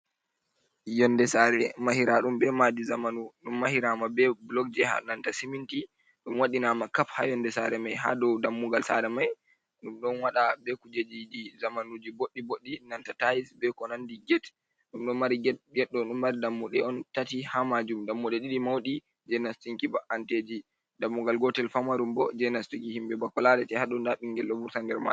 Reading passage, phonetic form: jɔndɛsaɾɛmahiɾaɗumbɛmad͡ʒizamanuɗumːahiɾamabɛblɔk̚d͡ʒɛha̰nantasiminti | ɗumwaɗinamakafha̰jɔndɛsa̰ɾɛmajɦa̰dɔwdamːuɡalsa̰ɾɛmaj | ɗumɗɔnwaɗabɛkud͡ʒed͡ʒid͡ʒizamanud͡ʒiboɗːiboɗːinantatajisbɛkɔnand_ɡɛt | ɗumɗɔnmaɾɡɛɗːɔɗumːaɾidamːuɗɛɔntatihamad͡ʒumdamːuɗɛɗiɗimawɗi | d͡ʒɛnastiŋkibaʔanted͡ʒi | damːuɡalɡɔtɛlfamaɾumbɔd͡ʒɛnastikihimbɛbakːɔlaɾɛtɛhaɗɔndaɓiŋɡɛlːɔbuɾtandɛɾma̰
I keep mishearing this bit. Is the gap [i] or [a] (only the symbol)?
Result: i